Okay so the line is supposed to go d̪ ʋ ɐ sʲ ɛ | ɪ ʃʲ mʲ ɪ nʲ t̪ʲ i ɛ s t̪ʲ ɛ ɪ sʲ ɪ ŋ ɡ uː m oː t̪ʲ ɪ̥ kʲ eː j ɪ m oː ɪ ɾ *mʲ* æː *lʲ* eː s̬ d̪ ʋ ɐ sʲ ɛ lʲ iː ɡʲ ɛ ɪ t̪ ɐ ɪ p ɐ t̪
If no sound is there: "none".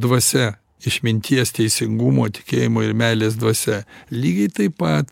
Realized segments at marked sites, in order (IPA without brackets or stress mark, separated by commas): mʲ, lʲ